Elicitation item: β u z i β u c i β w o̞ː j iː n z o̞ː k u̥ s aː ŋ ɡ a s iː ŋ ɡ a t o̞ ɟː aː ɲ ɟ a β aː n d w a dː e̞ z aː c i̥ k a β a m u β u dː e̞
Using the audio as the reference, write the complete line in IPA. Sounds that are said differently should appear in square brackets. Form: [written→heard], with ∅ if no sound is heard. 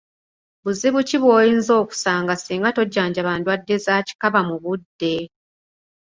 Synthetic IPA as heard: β u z i β u c i β w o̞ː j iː n z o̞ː k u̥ s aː ŋ ɡ a s iː ŋ ɡ a t o̞ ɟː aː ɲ ɟ a β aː n d w a dː e̞ z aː c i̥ k a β a m u β u dː e̞